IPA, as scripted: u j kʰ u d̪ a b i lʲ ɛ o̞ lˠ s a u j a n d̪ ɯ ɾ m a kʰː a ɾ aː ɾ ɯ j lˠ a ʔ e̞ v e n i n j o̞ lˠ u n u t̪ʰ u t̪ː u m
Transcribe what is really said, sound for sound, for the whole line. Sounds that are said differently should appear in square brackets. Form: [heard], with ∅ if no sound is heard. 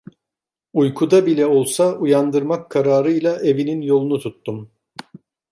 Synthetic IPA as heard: u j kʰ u d̪ a b i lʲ ɛ o̞ lˠ s a u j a n d̪ ɯ ɾ m a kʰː a ɾ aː ɾ ɯ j lˠ a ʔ e̞ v [i] n i n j o̞ lˠ u n u t̪ʰ u t̪ː u m